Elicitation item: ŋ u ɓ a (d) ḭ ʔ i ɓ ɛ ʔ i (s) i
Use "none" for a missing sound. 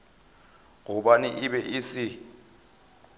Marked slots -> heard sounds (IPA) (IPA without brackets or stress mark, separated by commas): n, s